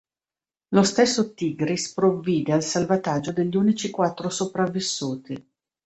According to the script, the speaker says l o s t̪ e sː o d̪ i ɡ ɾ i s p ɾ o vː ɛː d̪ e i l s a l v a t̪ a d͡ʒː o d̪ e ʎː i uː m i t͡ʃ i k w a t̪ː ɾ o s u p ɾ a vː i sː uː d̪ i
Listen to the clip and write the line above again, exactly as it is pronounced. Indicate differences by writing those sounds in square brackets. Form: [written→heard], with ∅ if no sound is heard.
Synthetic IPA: l o s t̪ e sː o [d̪→t̪] i ɡ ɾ i s p ɾ o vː [ɛː→iː] d̪ e [i→a] l s a l v a t̪ a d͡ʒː o d̪ e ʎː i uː [m→n] i t͡ʃ i k w a t̪ː ɾ o s [u→o] p ɾ a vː i sː uː [d̪→t̪] i